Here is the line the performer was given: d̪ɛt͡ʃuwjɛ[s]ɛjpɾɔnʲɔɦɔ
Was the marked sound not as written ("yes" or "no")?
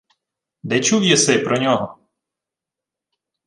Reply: no